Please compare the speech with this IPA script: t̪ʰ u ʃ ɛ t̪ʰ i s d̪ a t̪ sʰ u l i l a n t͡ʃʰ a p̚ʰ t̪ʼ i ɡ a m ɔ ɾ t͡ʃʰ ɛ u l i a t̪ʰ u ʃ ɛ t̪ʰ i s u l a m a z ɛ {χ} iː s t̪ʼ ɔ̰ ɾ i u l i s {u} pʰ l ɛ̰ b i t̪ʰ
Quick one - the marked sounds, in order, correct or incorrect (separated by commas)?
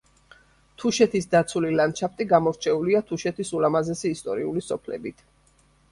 incorrect, incorrect